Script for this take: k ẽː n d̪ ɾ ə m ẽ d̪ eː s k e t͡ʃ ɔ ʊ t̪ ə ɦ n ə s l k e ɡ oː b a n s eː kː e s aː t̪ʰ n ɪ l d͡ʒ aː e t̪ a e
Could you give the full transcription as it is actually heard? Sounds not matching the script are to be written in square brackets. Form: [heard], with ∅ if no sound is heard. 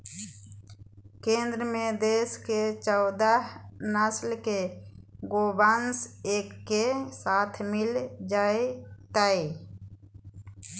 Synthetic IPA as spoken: k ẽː n d̪ ɾ ə m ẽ d̪ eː s k e t͡ʃ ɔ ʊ [d̪] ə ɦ n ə s l k e ɡ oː b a n s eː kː e s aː t̪ʰ [m] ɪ l d͡ʒ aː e t̪ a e